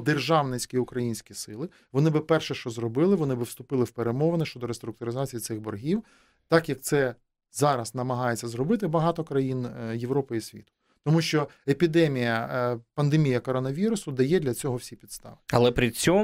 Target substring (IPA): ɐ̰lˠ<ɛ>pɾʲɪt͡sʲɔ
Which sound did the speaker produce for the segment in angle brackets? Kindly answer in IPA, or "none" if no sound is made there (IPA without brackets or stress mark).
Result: ɛ